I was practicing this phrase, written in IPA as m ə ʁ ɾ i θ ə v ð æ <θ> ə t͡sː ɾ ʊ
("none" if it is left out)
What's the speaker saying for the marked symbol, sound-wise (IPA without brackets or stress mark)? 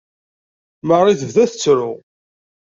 θ